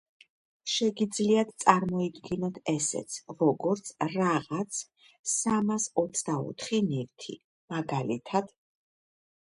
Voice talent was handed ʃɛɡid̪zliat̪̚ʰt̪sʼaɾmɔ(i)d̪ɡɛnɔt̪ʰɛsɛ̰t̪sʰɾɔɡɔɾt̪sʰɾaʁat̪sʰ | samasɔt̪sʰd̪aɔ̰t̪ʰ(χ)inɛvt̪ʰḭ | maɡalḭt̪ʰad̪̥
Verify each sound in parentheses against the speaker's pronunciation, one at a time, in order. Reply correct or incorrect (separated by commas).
correct, correct